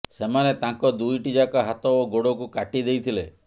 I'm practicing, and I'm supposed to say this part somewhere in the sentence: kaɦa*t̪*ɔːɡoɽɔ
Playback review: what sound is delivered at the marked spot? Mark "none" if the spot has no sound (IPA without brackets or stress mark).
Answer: t̪